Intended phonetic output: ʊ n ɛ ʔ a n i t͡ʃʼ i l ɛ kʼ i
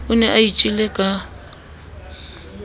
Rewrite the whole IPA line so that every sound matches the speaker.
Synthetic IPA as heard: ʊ n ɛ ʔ a i t͡ʃʼ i l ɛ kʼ a

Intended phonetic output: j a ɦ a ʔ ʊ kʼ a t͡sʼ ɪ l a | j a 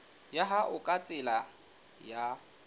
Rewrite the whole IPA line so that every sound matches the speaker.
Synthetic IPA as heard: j a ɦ a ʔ ʊ kʼ a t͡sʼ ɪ l a | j a

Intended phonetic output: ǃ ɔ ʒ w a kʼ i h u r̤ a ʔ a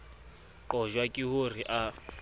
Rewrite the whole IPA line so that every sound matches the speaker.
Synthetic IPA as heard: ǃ ɔ ʒ w a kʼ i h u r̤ i ʔ a

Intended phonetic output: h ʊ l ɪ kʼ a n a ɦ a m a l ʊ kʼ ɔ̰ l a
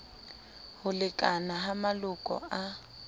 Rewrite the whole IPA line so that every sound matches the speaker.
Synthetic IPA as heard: h ʊ l ɪ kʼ a n a ɦ a m a l ʊ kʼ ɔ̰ a

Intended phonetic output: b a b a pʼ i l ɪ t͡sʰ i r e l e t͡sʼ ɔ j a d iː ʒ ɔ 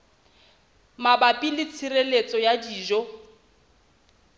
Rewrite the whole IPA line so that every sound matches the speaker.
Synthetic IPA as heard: m a b a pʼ i l ɪ t͡sʰ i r e l e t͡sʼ ɔ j a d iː ʒ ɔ

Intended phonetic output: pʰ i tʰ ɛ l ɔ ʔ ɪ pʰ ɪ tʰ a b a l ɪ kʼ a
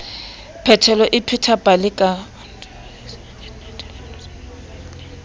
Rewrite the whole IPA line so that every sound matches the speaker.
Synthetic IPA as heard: pʰ ɛ tʰ ɛ l ɔ ʔ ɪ pʰ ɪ tʰ a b a l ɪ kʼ a

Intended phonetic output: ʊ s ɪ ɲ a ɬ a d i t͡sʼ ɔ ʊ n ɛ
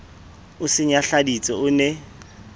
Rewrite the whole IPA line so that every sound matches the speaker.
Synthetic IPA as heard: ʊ s ɪ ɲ a ɬ a d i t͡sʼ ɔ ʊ n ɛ

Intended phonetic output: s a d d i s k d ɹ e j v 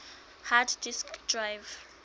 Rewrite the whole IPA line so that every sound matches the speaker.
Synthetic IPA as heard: h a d d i s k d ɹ a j v

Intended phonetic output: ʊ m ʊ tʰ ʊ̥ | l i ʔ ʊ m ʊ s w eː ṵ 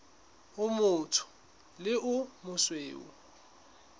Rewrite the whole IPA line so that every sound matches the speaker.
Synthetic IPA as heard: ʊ m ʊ tʰ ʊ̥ | l ɪ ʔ ʊ m ʊ s w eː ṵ

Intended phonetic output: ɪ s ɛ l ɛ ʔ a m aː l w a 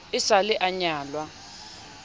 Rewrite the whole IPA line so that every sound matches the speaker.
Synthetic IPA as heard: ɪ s a l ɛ ʔ a ɲ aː l w a

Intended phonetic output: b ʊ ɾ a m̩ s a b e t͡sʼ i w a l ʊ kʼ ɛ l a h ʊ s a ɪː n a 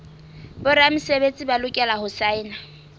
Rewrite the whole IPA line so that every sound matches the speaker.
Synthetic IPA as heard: b ʊ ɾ a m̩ s e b e t͡sʼ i b a l ʊ kʼ ɛ l a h ʊ s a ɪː n a

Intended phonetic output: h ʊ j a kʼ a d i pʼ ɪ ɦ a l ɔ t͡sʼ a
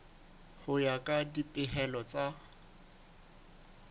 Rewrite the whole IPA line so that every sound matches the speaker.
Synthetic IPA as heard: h ʊ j a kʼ a d i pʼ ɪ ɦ ɛ l ɔ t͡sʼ a

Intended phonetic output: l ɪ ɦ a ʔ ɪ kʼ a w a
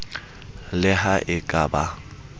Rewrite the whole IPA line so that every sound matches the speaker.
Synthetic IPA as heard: l ɪ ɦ a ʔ ɪ kʼ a b a

